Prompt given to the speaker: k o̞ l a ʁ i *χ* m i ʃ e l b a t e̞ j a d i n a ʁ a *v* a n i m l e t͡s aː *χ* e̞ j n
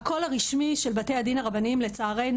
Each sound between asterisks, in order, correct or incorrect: incorrect: ʃ, incorrect: b, incorrect: ʁ

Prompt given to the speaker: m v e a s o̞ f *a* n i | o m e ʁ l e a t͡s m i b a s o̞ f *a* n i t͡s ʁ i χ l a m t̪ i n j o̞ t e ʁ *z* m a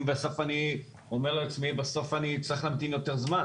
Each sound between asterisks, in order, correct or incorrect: correct, correct, correct

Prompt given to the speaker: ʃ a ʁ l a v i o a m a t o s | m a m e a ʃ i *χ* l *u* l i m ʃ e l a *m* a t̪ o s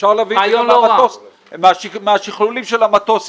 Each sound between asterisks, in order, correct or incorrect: correct, correct, correct

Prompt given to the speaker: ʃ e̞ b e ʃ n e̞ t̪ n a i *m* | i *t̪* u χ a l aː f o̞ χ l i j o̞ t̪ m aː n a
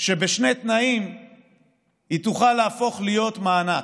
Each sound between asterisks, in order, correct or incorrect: correct, correct

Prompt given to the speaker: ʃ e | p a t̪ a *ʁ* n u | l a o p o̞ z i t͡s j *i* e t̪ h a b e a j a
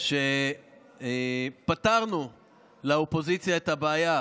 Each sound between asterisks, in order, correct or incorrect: correct, incorrect: a

